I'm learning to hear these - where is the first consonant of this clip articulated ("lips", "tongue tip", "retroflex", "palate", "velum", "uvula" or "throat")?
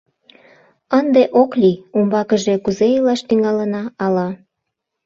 tongue tip